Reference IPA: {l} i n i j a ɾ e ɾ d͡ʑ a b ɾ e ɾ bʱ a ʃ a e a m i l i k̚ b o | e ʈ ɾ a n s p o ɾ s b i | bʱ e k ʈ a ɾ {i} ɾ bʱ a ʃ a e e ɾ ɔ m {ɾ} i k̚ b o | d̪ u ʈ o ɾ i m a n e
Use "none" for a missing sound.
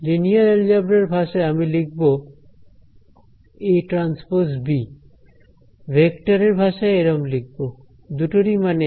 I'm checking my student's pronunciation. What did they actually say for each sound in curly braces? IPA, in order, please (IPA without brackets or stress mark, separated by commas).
l, e, l